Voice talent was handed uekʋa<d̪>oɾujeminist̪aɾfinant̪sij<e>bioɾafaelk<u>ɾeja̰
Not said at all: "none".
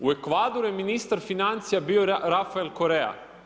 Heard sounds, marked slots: d̪, a, o

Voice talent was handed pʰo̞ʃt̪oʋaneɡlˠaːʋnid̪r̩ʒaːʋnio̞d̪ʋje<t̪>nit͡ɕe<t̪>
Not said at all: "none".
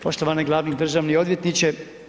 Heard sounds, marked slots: t̪, none

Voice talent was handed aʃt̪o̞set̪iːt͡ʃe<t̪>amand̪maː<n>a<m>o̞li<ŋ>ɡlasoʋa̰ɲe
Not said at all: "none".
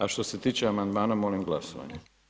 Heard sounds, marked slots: none, n, m, m

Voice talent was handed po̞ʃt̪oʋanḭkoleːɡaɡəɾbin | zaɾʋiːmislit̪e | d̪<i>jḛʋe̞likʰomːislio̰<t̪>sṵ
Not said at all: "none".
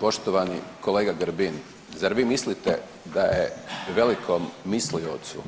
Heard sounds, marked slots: a, t̪

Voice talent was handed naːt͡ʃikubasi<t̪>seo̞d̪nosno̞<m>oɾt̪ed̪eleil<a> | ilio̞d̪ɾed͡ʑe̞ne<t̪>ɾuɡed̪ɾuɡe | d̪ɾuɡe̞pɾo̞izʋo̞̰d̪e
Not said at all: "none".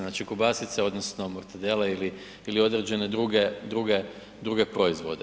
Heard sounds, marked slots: t̪, m, i, d̪

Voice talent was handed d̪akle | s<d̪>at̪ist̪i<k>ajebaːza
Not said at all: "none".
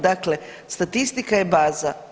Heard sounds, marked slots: t̪, k

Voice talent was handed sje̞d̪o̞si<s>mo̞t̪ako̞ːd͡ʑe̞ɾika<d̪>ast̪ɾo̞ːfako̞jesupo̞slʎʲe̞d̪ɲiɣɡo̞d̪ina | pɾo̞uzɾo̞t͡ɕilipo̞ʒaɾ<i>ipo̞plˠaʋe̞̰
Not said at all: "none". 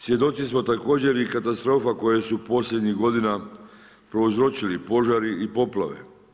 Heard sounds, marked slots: s, t̪, i

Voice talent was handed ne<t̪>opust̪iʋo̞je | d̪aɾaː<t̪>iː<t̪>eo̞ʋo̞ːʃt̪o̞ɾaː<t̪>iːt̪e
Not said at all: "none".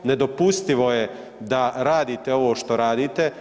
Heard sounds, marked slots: d̪, d̪, t̪, d̪

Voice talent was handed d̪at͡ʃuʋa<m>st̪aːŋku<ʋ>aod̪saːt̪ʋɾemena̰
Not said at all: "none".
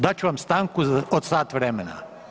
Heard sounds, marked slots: m, none

